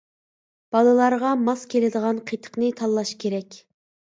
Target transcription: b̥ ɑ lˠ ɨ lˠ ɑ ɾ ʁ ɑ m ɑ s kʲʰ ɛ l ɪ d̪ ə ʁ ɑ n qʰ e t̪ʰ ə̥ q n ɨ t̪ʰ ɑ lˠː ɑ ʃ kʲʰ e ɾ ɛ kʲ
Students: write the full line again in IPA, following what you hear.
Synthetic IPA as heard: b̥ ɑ lˠ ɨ lˠ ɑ ɾ ʁ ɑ m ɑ s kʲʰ e l ɪ d̪ ə ʁ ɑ n qʰ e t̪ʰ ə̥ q n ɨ t̪ʰ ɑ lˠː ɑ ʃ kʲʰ e ɾ ɛ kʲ

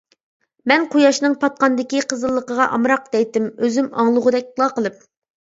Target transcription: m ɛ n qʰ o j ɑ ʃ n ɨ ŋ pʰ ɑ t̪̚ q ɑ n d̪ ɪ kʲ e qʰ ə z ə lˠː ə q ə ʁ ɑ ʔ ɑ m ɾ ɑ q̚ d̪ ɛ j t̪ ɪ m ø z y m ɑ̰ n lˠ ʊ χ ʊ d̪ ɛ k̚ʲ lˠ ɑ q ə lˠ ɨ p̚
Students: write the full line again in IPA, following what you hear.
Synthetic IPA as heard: m ɛ n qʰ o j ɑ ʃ n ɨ ŋ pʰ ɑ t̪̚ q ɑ n d̪ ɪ kʲ i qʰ ə z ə lˠː ə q ə ʁ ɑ ʔ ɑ m ɾ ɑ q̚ d̪ ɛ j t̪ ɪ m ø z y m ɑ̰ ŋ lˠ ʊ ʁ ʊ d̪ ɛ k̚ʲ lˠ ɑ q ə lˠ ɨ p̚

